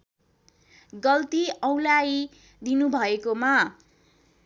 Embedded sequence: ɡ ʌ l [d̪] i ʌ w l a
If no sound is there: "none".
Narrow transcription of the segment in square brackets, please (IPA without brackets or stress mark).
t̪